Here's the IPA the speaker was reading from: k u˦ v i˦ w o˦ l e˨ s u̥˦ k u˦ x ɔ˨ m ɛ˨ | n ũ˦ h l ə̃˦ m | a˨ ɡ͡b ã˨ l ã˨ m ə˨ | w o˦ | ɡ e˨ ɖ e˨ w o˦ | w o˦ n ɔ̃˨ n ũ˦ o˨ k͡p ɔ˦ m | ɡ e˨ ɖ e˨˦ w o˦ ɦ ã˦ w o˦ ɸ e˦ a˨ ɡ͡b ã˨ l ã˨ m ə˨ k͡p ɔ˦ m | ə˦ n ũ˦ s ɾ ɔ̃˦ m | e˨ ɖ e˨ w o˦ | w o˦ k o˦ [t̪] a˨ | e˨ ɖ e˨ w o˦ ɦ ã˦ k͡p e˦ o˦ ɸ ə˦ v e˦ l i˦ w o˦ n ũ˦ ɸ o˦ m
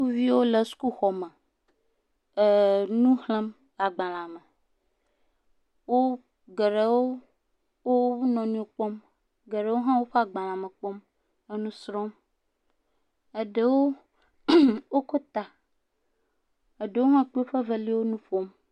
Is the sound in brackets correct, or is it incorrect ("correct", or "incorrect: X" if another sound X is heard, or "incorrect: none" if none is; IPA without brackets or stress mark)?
correct